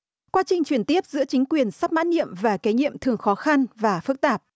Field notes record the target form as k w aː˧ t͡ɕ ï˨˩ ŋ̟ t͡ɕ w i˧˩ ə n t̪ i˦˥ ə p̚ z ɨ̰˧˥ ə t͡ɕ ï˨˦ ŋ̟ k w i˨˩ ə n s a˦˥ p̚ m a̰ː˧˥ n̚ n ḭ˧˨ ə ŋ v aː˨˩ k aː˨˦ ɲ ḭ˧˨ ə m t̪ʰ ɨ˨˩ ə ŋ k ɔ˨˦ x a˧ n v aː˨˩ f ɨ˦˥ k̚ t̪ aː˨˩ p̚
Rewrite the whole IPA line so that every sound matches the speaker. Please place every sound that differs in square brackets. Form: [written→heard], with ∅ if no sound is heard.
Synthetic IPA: k w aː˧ t͡ɕ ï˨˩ ŋ̟ t͡ɕ w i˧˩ ə n t̪ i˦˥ ə p̚ z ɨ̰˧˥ ə t͡ɕ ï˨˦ ŋ̟ k w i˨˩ ə n s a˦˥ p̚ m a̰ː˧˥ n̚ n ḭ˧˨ ə [ŋ→m] v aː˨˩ k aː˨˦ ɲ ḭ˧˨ ə m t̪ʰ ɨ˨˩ ə ŋ [k→x] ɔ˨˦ x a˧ n v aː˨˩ f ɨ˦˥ k̚ t̪ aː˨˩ p̚